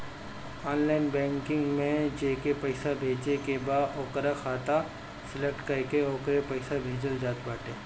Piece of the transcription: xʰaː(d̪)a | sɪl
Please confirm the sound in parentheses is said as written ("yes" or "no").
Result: no